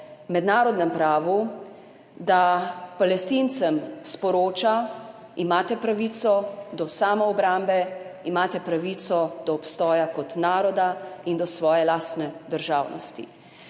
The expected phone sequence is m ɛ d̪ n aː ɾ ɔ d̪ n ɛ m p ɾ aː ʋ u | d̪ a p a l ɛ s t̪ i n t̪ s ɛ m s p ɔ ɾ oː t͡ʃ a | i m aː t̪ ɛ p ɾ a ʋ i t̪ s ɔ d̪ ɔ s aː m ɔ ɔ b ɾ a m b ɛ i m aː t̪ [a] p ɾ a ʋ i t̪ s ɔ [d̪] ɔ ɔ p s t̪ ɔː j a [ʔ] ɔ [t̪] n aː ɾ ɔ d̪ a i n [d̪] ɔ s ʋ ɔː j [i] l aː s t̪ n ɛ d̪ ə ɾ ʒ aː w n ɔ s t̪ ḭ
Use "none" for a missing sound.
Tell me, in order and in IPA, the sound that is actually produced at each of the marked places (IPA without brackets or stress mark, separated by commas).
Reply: ɛ, d̪, k, t̪, d̪, ɛ